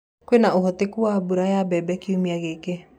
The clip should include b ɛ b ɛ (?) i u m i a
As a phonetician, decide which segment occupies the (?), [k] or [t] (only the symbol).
k